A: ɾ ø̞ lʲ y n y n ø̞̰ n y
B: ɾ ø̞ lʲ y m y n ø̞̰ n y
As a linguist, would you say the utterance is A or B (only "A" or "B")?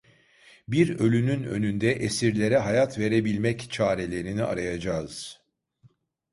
A